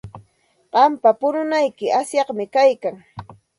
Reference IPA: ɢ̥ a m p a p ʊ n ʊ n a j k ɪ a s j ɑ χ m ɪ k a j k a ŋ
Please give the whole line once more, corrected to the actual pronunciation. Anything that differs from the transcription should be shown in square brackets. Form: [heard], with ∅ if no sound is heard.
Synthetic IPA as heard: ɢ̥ [ɑ] m p a p ʊ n ʊ n a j k ɪ a s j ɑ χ m ɪ k a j k a ŋ